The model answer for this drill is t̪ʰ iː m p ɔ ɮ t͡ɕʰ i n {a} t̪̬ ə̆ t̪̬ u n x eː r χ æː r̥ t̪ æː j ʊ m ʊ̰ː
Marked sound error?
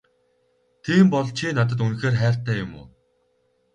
no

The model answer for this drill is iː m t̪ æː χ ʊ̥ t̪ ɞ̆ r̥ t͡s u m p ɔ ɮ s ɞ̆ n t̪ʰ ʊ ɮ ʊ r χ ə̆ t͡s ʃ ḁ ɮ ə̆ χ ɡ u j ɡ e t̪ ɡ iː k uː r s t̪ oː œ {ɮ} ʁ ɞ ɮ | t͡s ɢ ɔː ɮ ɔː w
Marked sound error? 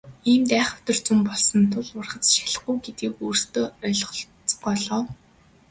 no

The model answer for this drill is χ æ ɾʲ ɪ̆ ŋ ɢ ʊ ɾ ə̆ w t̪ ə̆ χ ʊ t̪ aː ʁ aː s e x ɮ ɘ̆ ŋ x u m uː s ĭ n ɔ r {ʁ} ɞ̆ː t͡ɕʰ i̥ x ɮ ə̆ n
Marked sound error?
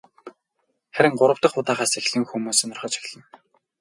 yes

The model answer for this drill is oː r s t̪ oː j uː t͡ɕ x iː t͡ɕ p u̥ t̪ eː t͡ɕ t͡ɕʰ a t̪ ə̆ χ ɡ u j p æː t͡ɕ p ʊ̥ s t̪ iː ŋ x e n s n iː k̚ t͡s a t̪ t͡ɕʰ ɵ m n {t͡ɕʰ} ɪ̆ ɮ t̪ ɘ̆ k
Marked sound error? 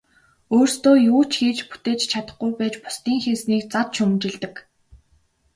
yes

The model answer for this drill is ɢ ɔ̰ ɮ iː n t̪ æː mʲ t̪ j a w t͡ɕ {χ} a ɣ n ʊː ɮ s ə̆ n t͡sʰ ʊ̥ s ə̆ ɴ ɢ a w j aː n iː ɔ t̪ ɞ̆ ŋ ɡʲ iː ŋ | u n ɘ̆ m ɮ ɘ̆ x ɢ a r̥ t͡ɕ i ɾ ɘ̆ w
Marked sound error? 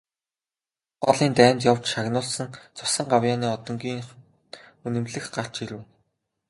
yes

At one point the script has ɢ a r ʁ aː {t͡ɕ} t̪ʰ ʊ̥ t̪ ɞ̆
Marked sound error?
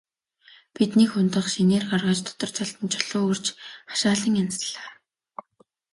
no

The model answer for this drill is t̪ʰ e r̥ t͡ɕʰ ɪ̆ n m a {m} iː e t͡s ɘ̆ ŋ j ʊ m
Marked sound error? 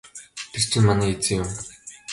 yes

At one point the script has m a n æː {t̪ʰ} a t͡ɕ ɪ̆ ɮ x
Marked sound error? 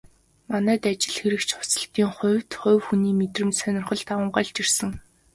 yes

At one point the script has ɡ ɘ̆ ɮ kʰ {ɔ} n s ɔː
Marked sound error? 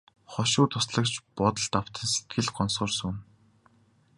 no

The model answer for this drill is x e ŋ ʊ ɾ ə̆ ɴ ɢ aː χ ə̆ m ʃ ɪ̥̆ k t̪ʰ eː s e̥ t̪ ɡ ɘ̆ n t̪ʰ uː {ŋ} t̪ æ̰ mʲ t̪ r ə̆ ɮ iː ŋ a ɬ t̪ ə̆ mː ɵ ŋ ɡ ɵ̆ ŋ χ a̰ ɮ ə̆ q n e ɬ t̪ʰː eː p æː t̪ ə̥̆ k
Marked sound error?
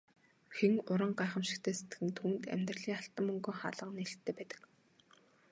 yes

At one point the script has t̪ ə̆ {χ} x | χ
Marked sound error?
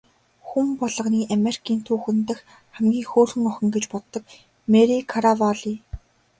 yes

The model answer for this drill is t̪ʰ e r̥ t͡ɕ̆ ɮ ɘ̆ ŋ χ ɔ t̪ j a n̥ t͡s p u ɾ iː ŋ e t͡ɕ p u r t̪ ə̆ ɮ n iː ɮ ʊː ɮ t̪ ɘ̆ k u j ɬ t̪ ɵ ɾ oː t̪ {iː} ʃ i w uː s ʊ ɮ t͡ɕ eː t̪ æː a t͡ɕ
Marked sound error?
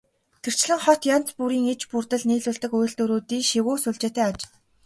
no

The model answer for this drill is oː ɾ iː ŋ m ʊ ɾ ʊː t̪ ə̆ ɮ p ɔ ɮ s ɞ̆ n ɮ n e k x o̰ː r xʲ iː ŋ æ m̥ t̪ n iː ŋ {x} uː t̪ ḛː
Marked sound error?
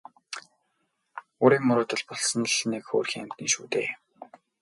yes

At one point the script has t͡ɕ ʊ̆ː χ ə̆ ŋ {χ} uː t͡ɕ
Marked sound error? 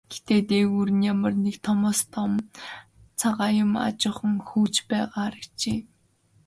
yes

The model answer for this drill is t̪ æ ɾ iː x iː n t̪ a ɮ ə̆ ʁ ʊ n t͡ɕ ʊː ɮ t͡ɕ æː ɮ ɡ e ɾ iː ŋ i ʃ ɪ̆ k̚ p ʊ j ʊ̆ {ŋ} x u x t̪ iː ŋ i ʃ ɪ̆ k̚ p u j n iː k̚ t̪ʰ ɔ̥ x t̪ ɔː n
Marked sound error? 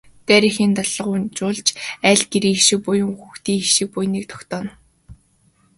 no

